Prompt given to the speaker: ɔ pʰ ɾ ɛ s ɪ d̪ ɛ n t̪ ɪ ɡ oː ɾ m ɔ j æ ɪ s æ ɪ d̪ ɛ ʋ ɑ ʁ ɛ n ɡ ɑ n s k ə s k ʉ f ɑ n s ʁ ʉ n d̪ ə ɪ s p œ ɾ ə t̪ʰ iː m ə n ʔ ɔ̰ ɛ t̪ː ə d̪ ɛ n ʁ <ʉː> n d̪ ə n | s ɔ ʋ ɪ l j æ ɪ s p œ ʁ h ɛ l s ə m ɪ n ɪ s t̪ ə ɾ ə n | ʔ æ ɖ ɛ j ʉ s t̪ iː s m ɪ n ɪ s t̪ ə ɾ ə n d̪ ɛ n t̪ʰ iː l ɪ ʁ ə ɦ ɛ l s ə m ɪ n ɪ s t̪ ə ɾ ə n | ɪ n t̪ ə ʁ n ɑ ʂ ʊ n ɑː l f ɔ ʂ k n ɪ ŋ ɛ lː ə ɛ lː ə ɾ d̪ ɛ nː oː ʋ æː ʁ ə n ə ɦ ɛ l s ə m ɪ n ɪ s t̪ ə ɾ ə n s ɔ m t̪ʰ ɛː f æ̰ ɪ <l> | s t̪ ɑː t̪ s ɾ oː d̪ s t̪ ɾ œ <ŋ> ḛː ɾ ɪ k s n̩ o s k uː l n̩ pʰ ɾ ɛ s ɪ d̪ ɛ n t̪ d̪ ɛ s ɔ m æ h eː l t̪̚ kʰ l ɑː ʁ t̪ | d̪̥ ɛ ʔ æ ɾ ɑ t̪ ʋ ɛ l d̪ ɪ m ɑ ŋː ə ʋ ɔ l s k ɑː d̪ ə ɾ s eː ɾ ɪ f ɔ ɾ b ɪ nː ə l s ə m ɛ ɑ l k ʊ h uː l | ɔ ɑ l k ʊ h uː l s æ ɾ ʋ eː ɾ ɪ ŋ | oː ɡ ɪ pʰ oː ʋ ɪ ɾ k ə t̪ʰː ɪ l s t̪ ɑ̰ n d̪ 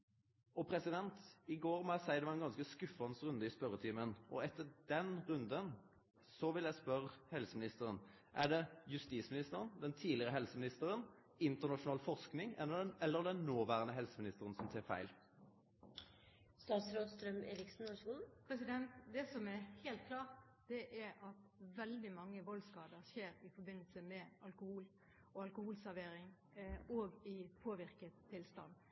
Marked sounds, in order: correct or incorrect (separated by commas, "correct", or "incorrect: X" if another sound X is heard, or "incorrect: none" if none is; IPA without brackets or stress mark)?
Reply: incorrect: ʉ, correct, incorrect: m